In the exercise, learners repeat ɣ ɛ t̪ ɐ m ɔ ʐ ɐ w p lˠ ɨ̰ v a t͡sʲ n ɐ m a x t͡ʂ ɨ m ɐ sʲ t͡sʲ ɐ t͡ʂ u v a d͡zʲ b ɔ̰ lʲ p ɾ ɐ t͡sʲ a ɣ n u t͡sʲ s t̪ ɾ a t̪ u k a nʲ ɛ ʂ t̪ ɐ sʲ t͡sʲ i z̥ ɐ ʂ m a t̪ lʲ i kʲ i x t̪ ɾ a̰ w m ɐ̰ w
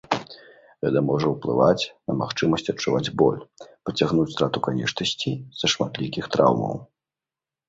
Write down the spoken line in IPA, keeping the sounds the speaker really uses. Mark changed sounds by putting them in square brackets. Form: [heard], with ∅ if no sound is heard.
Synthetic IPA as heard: ɣ ɛ t̪ ɐ m ɔ ʐ ɐ w p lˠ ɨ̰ v a t͡sʲ n ɐ m a x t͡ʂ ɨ m ɐ sʲ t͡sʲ ɐ t͡ʂ u v a d͡zʲ b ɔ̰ lʲ p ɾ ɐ t͡sʲ a ɣ n u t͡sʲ s t̪ ɾ a t̪ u k a nʲ ɛ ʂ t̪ ɐ sʲ t͡sʲ i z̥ ɐ ʂ m a t̪ lʲ i kʲ i x t̪ ɾ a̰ w m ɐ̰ w